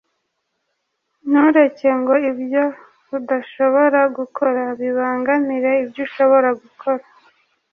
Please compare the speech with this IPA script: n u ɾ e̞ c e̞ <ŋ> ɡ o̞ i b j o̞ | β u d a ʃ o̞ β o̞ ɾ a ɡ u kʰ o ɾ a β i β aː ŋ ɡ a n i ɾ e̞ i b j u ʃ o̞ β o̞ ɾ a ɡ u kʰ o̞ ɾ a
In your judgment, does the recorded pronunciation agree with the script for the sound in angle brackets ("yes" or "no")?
yes